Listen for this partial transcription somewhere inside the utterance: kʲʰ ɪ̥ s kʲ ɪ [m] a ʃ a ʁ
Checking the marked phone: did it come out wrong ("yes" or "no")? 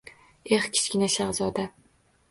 yes